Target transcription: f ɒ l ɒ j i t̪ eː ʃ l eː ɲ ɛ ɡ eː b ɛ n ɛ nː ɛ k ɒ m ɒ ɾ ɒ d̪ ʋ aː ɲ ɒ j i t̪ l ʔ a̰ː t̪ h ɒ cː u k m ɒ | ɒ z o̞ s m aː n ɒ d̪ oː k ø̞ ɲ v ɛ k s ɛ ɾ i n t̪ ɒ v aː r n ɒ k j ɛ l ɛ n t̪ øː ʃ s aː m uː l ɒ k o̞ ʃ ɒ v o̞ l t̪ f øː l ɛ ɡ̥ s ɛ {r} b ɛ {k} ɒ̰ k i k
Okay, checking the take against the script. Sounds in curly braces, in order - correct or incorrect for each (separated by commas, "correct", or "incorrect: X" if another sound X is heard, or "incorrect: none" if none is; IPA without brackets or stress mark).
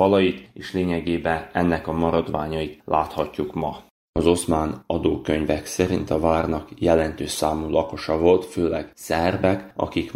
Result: correct, correct